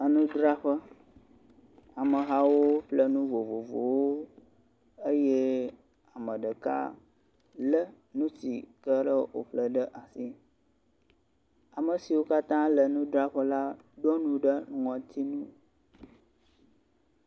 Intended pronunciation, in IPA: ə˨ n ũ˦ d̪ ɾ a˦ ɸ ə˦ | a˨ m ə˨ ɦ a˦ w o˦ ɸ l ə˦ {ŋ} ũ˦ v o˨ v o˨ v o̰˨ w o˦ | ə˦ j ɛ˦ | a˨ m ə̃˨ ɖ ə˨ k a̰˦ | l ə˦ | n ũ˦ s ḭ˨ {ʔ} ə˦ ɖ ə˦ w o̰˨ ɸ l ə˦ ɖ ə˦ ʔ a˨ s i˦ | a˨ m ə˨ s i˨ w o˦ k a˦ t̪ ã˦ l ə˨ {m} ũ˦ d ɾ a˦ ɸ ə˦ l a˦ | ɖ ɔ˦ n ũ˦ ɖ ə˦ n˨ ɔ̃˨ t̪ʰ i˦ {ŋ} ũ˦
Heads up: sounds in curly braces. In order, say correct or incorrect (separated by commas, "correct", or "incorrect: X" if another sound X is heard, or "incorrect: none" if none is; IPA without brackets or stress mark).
incorrect: n, incorrect: k, incorrect: n, incorrect: n